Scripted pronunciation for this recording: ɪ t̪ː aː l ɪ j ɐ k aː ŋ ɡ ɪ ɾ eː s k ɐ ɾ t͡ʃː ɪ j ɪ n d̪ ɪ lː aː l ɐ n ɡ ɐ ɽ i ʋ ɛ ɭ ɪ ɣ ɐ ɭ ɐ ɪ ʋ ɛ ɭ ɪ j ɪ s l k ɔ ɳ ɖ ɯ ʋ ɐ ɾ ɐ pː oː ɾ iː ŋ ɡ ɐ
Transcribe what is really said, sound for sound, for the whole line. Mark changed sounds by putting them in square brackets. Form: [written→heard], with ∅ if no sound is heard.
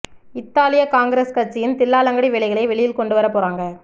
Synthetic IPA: ɪ t̪ː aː l ɪ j ɐ k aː ŋ ɡ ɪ ɾ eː s k ɐ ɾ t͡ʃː ɪ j ɪ n [d̪→t̪] ɪ lː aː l ɐ [n→ŋ] ɡ ɐ ɽ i ʋ ɛ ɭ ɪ ɣ ɐ ɭ ɐ ɪ ʋ ɛ ɭ ɪ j ɪ [s→∅] l k ɔ ɳ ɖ ɯ ʋ ɐ ɾ ɐ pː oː ɾ [iː→aː] ŋ ɡ ɐ